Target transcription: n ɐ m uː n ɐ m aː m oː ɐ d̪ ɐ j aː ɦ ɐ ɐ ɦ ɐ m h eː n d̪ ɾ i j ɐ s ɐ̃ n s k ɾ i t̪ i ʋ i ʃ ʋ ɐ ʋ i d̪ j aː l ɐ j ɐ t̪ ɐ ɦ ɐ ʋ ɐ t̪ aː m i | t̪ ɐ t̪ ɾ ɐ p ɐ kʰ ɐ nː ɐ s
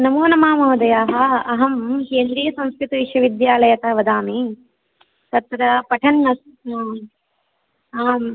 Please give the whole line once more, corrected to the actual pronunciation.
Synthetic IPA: n ɐ m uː n ɐ m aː m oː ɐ d̪ ɐ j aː ɦ ɐ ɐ ɦ ɐ m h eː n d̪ ɾ i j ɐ s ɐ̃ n s k ɾ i t̪ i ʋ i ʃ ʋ ɐ ʋ i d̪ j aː l ɐ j ɐ t̪ ɐ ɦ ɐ ʋ ɐ d̪ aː m i | t̪ ɐ t̪ ɾ ɐ p ɐ ʈʰ ɐ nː ɐ s

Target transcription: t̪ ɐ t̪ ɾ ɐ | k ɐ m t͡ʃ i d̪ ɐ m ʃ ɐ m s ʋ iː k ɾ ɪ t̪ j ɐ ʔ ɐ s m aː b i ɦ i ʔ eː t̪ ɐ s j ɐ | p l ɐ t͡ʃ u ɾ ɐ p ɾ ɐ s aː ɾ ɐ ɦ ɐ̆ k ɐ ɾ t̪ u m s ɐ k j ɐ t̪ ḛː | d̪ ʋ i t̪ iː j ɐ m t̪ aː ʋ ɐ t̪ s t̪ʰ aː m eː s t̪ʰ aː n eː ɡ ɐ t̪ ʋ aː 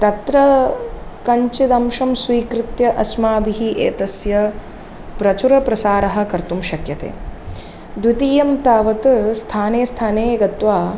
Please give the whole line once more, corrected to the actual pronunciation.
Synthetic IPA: t̪ ɐ t̪ ɾ ɐ | k ɐ ɲ t͡ʃ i d̪ ɐ m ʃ ɐ m s ʋ iː k ɾ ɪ t̪ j ɐ ʔ ɐ s m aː b i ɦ i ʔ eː t̪ ɐ s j ɐ | p ɾ ɐ t͡ʃ u ɾ ɐ p ɾ ɐ s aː ɾ ɐ ɦ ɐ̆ k ɐ ɾ t̪ u m ʃ ɐ k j ɐ t̪ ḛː | d̪ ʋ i t̪ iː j ɐ m t̪ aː ʋ ɐ t̪ s t̪ʰ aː n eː s t̪ʰ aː n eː ɡ ɐ t̪ ʋ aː

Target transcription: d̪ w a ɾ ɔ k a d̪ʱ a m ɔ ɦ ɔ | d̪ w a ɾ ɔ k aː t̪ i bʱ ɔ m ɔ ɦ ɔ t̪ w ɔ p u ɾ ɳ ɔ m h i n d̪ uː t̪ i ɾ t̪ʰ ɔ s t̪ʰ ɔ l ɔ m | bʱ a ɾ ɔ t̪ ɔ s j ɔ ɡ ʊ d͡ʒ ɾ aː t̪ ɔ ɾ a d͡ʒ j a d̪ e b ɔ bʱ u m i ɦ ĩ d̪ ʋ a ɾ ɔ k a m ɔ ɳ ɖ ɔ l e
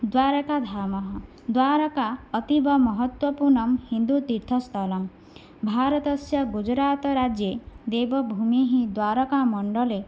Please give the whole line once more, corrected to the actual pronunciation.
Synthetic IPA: d̪ w a ɾ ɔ k a d̪ʱ a m ɔ ɦ ɔ | d̪ w a ɾ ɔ k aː t̪ i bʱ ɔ m ɔ ɦ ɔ t̪ w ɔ p u ɾ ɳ ɔ m h i n d̪ u t̪ i ɾ t̪ʰ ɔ s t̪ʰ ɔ l ɔ m | bʱ a ɾ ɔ t̪ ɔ s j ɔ ɡ u d͡ʒ ɾ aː t̪ ɔ ɾ a d͡ʒ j e d̪ e b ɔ bʱ u m i ɦ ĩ d̪ w a ɾ ɔ k a m ɔ ɳ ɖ ɔ l e

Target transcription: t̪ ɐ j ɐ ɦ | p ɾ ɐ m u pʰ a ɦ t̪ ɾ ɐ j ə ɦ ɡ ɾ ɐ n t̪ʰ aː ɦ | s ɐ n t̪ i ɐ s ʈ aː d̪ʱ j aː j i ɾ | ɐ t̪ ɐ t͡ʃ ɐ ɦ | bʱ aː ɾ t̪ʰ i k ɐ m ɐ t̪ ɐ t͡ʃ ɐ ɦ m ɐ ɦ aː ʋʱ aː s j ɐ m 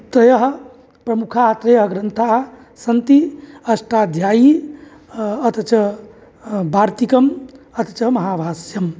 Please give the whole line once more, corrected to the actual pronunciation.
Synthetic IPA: t̪ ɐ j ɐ ɦ | p ɾ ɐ m u kʰ a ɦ t̪ ɾ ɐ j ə ɦ ɡ ɾ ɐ n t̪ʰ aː ɦ | s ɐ n t̪ i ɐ s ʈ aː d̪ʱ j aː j i | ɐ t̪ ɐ t͡ʃ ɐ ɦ | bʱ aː ɾ t̪ i k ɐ m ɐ t̪ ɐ t͡ʃ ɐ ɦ m ɐ ɦ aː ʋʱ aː s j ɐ m

